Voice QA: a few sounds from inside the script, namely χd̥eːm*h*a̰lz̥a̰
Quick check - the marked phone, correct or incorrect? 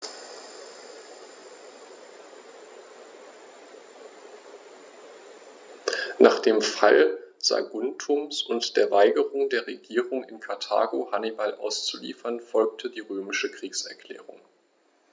incorrect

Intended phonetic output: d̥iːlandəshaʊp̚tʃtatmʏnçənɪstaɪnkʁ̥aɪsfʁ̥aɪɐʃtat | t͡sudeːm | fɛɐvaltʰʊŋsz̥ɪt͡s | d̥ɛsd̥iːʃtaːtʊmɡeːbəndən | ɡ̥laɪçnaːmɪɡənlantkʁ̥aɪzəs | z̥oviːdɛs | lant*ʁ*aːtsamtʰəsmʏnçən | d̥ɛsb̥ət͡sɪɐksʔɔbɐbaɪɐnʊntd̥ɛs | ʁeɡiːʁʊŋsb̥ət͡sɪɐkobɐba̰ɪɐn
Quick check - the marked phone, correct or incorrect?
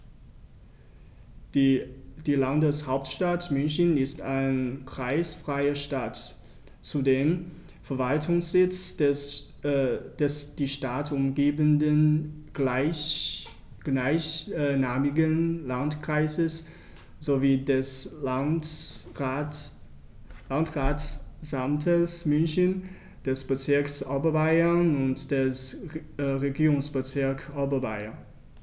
correct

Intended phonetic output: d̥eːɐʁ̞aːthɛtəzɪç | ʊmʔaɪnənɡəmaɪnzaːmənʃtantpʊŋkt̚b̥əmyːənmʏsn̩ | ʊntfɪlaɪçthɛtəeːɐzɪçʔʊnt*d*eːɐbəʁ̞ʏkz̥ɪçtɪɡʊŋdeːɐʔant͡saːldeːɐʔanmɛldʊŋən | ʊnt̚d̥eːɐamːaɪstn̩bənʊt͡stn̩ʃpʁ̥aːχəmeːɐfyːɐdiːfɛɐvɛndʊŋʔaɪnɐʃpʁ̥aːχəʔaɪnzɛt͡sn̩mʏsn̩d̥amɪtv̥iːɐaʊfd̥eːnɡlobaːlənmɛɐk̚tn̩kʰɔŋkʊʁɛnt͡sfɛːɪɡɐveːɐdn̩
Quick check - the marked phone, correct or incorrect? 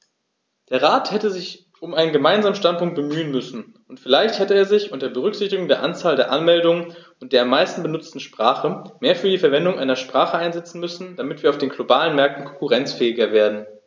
correct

